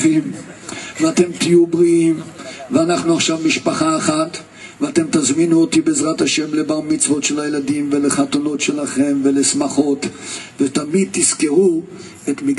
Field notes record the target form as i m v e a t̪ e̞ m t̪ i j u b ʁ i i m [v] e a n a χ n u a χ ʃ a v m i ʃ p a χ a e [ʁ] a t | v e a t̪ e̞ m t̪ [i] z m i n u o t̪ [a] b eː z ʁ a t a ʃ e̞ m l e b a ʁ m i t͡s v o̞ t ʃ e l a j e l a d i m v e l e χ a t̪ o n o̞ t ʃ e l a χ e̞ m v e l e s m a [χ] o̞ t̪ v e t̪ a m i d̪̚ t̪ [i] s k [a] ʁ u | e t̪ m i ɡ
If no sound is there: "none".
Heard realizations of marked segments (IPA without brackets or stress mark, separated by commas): v, χ, a, i, χ, i, e